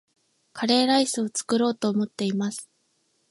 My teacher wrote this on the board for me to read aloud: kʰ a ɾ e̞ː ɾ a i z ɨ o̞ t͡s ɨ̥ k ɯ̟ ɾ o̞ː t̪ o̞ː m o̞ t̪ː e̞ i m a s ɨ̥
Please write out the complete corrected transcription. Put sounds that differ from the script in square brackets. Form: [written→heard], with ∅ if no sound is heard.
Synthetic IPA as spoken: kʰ a ɾ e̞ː ɾ a i [z→s] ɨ o̞ t͡s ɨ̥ k ɯ̟ ɾ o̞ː t̪ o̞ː m o̞ t̪ː e̞ i m a s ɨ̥